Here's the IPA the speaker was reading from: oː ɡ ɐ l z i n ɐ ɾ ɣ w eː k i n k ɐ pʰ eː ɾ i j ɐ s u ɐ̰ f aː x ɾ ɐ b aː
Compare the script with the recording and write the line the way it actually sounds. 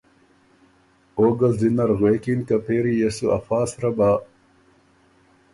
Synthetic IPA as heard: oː ɡ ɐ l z i n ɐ ɾ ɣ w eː k i n k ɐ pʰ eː ɾ i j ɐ s u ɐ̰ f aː s ɾ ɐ b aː